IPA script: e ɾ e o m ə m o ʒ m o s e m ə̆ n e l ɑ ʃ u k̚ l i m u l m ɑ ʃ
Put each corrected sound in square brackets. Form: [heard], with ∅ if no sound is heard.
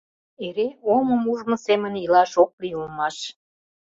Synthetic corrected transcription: e ɾ e o m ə m [u] ʒ m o s e m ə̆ n [i] l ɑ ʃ [o] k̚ l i [∅] u l m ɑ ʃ